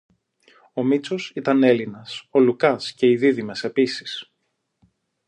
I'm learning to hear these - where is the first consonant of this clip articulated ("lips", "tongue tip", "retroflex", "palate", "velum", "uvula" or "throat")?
lips